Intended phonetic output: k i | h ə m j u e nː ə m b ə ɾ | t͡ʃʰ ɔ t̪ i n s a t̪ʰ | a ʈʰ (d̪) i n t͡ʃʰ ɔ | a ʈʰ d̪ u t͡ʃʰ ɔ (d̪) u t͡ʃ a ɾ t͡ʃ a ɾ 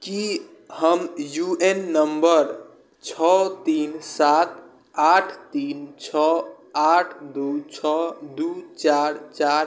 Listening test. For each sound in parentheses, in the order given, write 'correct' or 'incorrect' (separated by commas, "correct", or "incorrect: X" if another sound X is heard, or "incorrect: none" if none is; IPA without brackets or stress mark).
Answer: incorrect: t̪, correct